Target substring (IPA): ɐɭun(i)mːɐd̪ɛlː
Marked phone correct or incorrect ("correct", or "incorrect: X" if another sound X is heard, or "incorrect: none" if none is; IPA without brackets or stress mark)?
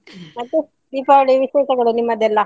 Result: correct